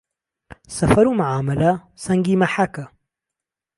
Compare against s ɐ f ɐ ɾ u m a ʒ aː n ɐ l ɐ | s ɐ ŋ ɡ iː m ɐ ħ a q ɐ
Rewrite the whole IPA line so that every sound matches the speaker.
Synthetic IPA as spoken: s ɐ f ɐ ɾ u m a ʕ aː m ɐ l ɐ | s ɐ ŋ ɡ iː m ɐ ħ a k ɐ